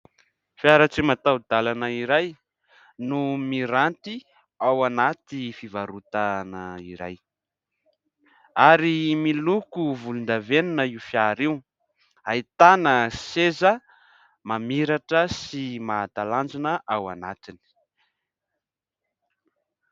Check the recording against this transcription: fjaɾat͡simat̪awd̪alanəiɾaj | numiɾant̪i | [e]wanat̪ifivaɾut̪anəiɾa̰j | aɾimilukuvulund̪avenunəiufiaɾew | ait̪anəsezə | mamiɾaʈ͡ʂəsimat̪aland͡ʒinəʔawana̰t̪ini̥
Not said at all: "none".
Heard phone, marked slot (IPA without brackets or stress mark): a